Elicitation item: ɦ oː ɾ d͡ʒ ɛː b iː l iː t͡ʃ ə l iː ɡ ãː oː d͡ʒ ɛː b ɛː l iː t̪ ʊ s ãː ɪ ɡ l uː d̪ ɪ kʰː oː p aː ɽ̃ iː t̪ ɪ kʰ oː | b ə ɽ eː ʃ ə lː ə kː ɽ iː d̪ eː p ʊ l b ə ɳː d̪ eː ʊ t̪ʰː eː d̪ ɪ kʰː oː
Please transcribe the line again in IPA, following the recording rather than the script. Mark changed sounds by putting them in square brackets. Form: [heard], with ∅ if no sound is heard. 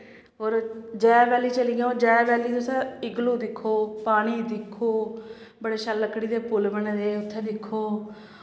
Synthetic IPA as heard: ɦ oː ɾ d͡ʒ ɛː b [ɛː] l iː t͡ʃ ə l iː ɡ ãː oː d͡ʒ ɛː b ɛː l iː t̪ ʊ s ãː ɪ ɡ l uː d̪ ɪ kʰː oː p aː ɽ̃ iː [d̪] ɪ kʰ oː | b ə ɽ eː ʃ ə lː ə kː ɽ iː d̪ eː p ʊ l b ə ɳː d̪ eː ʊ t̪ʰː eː d̪ ɪ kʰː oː